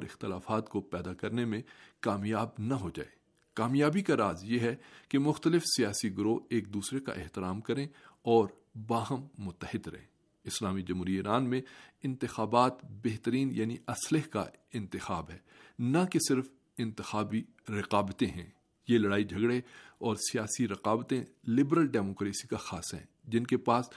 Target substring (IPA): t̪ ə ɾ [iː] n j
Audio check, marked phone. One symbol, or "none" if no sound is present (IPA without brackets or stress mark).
iː